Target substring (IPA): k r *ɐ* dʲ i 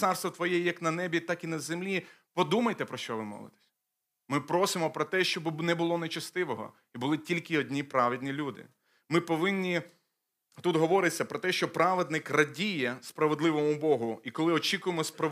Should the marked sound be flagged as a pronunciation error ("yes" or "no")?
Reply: no